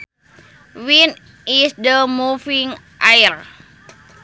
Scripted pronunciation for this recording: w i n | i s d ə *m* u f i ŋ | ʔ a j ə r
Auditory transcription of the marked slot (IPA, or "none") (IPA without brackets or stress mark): m